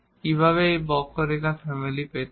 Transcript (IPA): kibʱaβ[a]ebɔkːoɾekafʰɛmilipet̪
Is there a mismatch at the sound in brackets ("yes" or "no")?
yes